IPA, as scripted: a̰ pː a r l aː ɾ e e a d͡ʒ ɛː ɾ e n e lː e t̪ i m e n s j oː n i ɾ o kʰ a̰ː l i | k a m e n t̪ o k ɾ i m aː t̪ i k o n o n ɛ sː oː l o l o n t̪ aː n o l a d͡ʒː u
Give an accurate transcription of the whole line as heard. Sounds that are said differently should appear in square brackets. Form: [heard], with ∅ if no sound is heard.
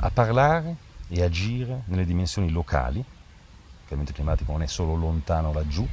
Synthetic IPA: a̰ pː a r l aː ɾ e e a d͡ʒ [iː] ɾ e n e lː e [d̪] i m e n s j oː n i [l] o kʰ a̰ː l i | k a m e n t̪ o k [l] i m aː t̪ i k o n o n ɛ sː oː l o l o n t̪ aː n o l a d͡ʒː u